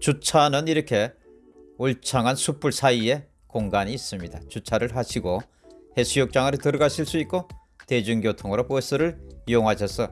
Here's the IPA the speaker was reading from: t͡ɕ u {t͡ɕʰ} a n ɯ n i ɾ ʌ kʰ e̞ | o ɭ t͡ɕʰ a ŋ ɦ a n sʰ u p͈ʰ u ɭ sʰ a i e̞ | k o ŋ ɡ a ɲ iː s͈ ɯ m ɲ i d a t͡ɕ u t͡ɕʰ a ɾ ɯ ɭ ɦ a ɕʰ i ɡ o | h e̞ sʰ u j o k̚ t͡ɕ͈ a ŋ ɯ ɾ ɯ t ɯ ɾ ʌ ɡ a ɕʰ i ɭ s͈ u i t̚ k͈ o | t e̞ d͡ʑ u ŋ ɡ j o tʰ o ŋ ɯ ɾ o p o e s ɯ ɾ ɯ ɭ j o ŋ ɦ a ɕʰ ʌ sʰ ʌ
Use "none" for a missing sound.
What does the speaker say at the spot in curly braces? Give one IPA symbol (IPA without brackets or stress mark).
t͡ɕʰ